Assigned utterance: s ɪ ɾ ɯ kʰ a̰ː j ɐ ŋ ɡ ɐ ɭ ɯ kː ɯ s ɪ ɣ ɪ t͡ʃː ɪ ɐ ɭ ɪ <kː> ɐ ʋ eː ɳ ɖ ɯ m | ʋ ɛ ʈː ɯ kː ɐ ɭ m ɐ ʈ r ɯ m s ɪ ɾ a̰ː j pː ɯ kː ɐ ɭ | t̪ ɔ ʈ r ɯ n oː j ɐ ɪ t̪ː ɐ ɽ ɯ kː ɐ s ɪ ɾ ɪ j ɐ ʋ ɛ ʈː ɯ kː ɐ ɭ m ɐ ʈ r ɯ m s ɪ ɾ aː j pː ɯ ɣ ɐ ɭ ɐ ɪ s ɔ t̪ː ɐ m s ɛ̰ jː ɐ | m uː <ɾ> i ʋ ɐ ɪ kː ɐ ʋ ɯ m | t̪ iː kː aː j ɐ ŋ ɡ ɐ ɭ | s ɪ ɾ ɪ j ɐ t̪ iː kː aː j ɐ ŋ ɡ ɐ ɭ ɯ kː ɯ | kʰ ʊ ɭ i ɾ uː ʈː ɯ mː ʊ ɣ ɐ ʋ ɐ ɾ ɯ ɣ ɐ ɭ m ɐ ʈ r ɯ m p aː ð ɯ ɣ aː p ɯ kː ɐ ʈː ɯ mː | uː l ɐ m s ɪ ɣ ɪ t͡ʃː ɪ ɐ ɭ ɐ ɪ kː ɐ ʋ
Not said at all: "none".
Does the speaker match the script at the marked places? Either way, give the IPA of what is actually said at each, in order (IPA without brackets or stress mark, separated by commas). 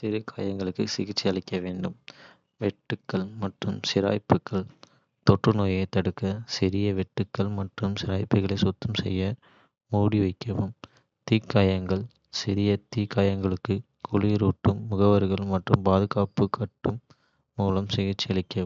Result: kː, ɽ